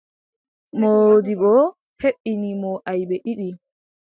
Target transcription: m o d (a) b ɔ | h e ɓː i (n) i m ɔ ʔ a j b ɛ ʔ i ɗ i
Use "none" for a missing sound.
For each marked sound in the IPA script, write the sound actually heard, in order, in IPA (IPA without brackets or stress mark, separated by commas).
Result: i, n